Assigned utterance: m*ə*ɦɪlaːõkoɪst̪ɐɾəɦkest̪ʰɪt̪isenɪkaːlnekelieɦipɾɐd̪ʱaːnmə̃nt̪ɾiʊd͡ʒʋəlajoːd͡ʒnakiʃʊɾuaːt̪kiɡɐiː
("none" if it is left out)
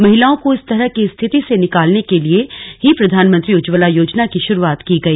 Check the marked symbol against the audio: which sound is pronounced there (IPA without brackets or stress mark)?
ɐ